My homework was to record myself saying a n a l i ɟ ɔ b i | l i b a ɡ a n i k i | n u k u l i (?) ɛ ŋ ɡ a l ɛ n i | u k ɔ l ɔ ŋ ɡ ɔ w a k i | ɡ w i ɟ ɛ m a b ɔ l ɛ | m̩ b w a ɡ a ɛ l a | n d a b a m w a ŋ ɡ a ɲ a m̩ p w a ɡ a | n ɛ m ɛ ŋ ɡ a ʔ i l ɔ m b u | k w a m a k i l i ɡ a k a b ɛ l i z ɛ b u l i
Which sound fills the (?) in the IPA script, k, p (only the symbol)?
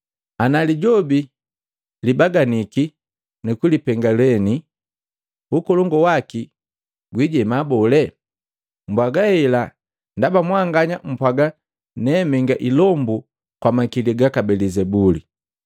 p